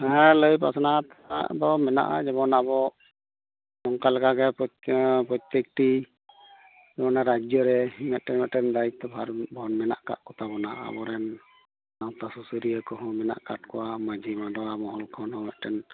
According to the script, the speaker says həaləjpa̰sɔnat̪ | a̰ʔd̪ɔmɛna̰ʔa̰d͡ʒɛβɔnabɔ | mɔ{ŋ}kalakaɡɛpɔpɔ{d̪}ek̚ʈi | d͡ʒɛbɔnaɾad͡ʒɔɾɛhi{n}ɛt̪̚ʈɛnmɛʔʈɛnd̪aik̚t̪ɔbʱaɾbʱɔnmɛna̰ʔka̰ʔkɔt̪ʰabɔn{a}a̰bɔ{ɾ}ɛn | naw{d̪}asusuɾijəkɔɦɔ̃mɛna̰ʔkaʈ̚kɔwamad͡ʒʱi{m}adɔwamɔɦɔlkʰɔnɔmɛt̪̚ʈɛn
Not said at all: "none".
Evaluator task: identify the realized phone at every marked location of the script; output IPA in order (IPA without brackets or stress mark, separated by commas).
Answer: ŋ, t̪, m, a, ɾ, t̪, m